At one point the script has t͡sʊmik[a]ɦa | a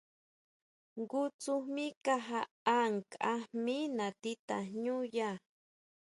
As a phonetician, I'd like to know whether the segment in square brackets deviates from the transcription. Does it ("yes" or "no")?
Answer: no